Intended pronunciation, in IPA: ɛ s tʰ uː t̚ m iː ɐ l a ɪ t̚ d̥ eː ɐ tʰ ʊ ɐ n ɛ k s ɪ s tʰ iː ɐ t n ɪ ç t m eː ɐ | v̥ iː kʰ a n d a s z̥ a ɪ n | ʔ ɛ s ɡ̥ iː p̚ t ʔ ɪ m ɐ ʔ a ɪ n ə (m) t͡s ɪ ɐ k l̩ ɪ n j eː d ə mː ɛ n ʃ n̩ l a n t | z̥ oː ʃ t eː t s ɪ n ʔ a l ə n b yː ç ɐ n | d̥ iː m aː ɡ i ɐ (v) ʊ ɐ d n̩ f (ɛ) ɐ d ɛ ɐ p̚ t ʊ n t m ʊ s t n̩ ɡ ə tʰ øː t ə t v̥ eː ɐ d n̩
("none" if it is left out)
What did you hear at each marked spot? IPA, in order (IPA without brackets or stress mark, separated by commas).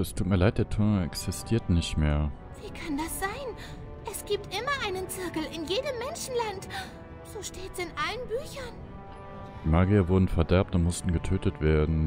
n, v, ɛ